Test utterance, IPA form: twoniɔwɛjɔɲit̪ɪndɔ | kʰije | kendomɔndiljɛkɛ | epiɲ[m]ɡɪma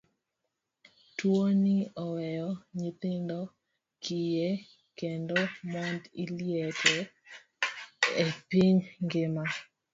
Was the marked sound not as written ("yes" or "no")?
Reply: yes